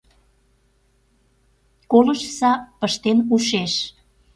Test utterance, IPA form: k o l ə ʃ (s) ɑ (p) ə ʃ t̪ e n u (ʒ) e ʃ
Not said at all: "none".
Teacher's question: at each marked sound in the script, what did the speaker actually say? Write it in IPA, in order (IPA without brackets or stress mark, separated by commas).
s, p, ʃ